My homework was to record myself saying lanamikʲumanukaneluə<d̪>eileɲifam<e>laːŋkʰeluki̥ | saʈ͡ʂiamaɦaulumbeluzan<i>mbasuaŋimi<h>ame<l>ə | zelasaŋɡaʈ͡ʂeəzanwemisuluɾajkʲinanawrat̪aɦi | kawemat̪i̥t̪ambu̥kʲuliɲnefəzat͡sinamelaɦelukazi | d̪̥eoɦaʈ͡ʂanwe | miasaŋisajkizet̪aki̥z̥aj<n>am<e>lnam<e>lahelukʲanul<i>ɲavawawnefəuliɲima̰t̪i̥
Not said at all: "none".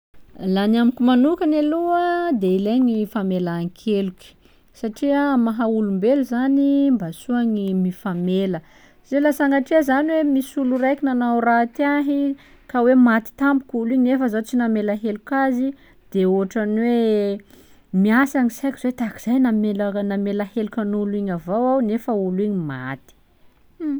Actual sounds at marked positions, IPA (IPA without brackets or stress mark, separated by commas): d̪, e, i, f, l, n, e, e, i